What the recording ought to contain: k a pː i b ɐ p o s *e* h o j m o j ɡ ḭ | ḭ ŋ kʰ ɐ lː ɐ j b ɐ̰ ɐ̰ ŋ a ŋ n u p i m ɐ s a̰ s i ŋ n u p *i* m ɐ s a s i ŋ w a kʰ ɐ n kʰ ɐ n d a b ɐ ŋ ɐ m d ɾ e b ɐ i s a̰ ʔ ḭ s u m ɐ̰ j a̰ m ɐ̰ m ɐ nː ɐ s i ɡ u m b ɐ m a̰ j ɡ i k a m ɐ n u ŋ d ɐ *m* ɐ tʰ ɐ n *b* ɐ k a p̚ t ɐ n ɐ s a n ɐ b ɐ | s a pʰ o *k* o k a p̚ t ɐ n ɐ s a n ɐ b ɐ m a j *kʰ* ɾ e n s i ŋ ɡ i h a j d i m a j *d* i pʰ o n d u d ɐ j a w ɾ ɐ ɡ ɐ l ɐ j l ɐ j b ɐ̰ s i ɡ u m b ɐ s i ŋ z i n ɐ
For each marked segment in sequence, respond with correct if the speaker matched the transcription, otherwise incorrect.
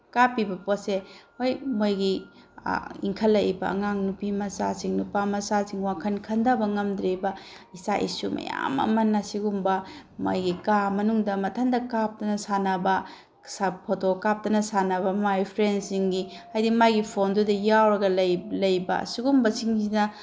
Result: correct, incorrect, correct, incorrect, incorrect, incorrect, incorrect

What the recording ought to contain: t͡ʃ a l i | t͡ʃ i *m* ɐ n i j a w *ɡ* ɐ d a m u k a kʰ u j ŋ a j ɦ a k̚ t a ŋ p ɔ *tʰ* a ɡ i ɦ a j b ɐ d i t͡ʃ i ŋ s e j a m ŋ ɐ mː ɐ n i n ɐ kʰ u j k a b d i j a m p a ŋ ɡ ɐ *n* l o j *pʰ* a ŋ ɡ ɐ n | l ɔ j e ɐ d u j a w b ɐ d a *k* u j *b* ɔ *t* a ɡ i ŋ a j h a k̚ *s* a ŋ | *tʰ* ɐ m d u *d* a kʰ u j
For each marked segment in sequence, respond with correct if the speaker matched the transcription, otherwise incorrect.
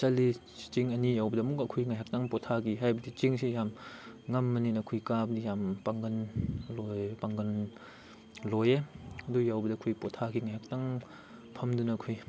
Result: incorrect, incorrect, correct, correct, incorrect, incorrect, incorrect, incorrect, incorrect, incorrect, incorrect

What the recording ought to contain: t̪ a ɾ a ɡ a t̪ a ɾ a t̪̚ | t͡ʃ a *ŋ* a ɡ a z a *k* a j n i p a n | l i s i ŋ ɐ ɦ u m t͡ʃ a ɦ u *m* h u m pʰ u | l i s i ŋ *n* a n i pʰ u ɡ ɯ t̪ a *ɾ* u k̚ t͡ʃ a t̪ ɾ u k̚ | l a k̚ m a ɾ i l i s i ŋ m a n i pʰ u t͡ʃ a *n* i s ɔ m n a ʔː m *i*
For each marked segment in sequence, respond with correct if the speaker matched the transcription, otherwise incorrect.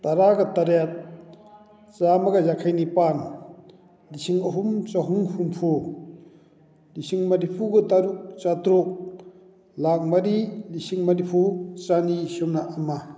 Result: incorrect, incorrect, incorrect, incorrect, correct, correct, incorrect

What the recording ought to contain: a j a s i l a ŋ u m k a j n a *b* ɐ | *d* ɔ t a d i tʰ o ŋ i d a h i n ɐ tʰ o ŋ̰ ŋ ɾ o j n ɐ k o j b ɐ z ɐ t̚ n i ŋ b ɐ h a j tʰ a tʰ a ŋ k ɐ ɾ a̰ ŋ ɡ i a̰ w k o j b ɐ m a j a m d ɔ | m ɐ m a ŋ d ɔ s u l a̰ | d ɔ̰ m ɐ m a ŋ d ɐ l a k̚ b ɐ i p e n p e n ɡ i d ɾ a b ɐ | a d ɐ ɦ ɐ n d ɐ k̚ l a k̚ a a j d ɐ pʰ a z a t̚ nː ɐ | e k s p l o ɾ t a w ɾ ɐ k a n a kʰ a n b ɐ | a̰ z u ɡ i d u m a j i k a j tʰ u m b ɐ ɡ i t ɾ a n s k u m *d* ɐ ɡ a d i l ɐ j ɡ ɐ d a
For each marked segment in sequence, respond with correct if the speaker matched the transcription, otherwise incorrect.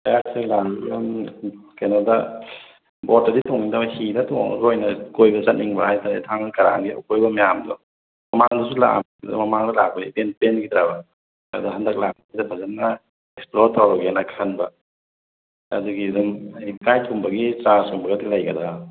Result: incorrect, incorrect, incorrect

